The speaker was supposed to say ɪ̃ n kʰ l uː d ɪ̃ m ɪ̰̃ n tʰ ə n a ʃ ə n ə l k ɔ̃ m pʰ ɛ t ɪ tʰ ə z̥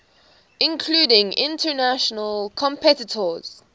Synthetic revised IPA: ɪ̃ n kʰ l uː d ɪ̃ ŋ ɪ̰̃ n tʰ ə n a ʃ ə n ə l kʰ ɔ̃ m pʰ ɛ t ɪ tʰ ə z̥

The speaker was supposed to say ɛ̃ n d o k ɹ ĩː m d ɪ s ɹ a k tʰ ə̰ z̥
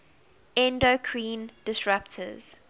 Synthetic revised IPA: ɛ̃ n d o kʰ ɹ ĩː n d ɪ s ɹ a p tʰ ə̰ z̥

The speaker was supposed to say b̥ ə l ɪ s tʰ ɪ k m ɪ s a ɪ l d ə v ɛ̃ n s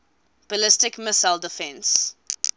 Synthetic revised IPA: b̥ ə l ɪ s t ɪ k m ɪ s a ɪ l d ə f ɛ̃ n s

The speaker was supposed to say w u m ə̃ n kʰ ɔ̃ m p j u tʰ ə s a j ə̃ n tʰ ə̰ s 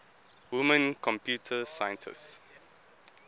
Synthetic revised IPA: w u m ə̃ n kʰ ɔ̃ m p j u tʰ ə s a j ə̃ n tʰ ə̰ s

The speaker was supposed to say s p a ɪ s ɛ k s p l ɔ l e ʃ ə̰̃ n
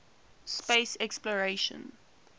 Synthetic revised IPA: s p e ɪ s ɛ k s p l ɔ ɹ e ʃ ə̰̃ n

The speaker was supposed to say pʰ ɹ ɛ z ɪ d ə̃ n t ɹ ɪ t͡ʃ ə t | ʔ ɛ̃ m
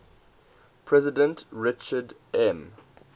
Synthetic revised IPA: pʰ ɹ ɛ z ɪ d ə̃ n t ɹ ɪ t͡ʃ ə d | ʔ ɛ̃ m

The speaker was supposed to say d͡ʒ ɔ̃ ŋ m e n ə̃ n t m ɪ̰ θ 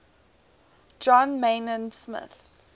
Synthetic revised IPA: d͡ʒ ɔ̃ n m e n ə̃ n s m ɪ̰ θ

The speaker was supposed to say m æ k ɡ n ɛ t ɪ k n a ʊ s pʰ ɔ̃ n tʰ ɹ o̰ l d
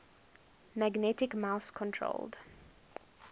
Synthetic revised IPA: m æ ɡ n ɛ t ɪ k m a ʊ s kʰ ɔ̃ n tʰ ɹ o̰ l d

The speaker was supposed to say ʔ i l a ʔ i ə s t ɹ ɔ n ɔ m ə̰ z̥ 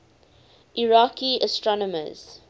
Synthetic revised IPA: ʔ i ɹ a k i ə s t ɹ ɔ n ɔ m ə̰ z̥

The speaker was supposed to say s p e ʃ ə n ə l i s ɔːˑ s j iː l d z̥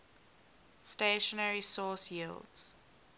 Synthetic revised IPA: s t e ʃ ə n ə ɹ i s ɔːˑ s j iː l d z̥

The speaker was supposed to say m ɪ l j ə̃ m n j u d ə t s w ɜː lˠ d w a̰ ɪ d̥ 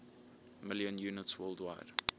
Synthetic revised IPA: m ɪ l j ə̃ n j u n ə t s w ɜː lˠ d w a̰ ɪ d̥

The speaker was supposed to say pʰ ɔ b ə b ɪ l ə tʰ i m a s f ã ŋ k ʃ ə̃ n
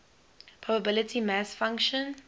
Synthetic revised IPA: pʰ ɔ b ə b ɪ l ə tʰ i m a s f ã ŋ k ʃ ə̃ n

